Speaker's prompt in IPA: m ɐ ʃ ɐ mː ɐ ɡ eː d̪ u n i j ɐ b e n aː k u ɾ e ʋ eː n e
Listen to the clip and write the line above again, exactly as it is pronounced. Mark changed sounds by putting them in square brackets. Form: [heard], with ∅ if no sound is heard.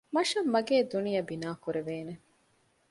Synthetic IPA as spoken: m ɐ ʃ ɐ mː ɐ ɡ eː d̪ u n i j ɐ b [i] n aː k u ɾ e ʋ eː n e